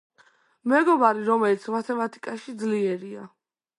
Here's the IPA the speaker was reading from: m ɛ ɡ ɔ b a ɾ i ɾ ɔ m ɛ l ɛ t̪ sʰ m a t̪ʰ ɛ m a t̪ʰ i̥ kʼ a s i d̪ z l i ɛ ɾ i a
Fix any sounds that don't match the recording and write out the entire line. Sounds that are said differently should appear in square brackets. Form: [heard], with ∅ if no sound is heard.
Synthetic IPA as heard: m ɛ ɡ ɔ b a ɾ i ɾ ɔ m ɛ l [i] t̪ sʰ m a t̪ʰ ɛ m a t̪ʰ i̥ kʼ a [ʃ] i d̪ z l i ɛ ɾ i a